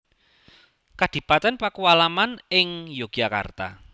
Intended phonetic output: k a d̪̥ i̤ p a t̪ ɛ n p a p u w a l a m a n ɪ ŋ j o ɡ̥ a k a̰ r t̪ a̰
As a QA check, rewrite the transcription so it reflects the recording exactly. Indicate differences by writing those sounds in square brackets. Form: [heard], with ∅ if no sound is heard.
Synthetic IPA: k a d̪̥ i̤ p a t̪ ɛ n p a [k] u w a l a m a n ɪ ŋ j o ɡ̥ a k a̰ r t̪ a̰

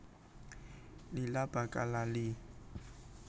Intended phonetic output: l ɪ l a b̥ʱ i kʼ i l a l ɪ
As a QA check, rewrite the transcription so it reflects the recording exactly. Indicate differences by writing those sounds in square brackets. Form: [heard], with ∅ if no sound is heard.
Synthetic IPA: l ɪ l a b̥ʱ [a] kʼ [a] l a l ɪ

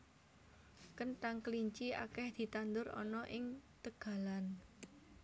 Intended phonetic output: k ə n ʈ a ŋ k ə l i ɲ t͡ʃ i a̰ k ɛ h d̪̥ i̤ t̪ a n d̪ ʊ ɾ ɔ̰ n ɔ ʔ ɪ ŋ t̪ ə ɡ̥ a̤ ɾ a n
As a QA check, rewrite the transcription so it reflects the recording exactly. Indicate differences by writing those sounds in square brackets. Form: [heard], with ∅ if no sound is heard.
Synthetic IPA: k ə n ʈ a ŋ k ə l i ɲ t͡ʃ i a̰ k ɛ h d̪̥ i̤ t̪ a n d̪ ʊ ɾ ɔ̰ n ɔ ʔ ɪ ŋ t̪ ə ɡ̥ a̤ [l] a n

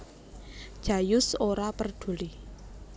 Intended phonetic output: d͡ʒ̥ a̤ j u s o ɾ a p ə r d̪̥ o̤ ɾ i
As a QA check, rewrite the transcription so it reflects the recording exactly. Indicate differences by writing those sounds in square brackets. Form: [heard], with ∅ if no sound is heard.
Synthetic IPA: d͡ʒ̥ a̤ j [ʊ] s o ɾ a p ə r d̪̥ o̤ [l] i

